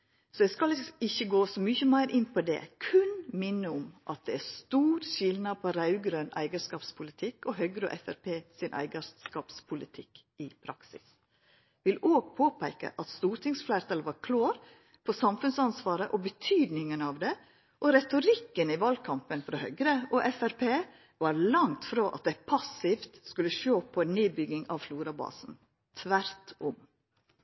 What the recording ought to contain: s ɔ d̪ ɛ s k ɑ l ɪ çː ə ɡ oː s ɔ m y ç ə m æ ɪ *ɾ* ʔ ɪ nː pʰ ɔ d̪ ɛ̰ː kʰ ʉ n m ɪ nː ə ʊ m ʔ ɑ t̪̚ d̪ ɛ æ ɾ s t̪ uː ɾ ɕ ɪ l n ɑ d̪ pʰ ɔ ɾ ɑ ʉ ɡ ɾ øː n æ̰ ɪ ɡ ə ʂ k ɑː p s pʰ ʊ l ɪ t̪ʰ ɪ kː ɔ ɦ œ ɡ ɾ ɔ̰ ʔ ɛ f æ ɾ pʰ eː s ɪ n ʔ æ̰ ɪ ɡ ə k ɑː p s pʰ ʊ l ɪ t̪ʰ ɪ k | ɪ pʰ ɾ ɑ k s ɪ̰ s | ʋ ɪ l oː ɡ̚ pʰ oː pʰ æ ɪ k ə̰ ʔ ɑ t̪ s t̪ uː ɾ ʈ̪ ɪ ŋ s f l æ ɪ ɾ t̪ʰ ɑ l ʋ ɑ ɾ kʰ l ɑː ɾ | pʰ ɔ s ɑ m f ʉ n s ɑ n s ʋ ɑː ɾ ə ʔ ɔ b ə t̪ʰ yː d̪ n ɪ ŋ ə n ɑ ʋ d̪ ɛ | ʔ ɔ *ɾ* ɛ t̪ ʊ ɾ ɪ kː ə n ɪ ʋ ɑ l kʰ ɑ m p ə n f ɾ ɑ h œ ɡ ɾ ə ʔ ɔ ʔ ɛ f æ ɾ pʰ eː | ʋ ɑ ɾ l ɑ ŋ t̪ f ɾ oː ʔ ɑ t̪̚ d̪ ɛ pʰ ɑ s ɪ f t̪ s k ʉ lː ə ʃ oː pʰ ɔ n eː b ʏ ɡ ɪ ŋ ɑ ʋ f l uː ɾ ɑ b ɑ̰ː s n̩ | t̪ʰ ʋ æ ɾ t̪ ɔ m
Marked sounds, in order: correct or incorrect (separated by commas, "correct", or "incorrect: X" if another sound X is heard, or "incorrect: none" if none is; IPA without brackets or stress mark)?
correct, correct